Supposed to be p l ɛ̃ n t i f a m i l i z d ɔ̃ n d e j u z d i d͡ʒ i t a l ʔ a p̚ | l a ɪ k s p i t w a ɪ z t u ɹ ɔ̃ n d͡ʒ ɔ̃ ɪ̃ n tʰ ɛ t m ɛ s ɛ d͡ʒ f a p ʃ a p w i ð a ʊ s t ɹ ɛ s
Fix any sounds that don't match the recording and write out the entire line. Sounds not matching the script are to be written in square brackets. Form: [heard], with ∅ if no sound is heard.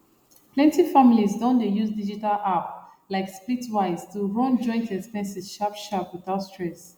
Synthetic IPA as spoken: p l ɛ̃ n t i f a m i l i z d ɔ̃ n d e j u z d i d͡ʒ i t a l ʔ a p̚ | l a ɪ k s p i t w a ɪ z t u ɹ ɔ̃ n d͡ʒ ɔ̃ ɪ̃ n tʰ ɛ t m ɛ s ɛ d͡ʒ [ʃ] a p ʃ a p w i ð a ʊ s t ɹ ɛ s